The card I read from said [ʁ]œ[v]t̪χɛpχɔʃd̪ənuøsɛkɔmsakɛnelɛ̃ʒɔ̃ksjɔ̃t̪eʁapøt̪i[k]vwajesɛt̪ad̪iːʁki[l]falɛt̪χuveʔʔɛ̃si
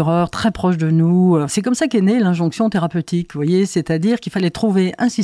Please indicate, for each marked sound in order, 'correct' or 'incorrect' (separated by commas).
correct, incorrect, correct, correct